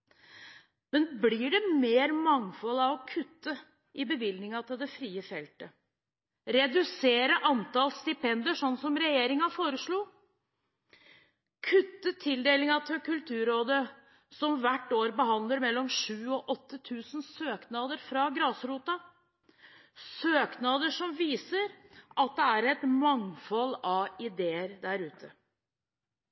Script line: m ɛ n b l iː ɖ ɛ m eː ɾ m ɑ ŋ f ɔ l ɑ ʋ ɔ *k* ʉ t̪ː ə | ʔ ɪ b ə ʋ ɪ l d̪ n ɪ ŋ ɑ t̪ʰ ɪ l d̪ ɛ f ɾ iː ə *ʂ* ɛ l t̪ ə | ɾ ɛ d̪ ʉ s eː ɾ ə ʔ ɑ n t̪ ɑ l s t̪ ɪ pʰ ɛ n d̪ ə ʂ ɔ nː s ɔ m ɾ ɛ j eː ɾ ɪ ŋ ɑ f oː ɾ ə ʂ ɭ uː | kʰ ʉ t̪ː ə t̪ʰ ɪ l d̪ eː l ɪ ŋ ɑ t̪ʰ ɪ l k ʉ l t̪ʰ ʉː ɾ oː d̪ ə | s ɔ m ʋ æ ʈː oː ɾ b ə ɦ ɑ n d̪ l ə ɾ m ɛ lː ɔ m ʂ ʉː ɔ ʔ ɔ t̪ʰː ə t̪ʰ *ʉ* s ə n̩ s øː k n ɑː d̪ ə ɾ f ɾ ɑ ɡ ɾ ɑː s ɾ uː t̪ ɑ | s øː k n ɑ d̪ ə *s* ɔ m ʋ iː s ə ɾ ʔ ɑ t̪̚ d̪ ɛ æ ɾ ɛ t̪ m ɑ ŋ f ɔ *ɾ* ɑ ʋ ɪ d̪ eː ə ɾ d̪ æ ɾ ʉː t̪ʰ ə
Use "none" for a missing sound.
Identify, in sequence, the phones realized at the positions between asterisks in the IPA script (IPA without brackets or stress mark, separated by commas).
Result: kʰ, f, ʉː, ʂ, l